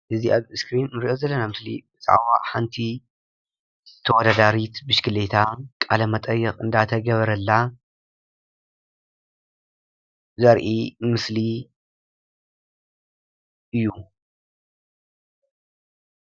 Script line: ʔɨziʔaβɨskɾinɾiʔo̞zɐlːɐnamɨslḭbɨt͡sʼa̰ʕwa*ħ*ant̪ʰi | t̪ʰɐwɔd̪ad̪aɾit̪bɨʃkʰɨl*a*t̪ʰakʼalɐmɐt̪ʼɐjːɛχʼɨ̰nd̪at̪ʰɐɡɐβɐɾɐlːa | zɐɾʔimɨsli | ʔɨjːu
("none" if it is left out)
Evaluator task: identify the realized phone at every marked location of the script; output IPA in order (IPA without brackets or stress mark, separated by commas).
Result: ħ, e